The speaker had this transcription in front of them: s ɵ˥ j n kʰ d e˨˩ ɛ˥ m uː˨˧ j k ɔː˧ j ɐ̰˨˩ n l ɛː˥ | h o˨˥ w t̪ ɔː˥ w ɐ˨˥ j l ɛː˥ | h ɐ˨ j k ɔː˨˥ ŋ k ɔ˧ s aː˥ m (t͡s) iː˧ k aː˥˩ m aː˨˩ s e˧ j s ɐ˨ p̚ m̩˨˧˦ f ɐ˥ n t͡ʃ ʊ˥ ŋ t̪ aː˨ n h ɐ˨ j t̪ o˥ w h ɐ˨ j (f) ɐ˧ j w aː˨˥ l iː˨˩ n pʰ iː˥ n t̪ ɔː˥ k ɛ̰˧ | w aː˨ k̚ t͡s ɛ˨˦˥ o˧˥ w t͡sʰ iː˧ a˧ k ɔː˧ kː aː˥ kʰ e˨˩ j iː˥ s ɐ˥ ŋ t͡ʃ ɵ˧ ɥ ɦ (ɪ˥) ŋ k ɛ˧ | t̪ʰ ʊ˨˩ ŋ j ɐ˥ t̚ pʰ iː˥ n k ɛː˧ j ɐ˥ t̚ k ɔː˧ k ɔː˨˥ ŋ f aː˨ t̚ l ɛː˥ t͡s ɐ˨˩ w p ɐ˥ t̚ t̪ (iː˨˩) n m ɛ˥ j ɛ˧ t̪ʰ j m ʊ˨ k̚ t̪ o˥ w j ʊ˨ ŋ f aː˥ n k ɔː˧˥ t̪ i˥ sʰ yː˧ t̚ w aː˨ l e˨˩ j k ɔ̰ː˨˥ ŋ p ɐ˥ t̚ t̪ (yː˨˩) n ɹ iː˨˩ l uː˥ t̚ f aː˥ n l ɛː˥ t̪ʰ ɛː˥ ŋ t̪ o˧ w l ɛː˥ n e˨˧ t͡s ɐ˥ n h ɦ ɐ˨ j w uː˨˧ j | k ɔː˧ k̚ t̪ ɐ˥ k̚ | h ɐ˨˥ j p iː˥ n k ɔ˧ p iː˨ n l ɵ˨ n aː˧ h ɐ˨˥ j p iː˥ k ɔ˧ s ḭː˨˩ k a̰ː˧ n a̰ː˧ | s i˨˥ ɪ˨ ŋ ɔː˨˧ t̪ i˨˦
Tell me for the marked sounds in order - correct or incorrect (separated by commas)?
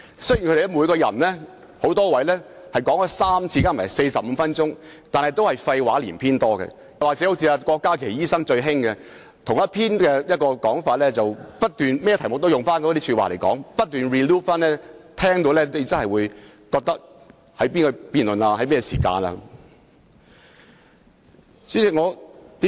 incorrect, correct, correct, incorrect, correct